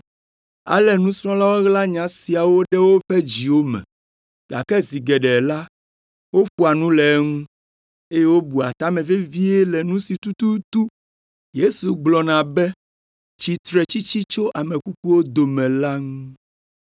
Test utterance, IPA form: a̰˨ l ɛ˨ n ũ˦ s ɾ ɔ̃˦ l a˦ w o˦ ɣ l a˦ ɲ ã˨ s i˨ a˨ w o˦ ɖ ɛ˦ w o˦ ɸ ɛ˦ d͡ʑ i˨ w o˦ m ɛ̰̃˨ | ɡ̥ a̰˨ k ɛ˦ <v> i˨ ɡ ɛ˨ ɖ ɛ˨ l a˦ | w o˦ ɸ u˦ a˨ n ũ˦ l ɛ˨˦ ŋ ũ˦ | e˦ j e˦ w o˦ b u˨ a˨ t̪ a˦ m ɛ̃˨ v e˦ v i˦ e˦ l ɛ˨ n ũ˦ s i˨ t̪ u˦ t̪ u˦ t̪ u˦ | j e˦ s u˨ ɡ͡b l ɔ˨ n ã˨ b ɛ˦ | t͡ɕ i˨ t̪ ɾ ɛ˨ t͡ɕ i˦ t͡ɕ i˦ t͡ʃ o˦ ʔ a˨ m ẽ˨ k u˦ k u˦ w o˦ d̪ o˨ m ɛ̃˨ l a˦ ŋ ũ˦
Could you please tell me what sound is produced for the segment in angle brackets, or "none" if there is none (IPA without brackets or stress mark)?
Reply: z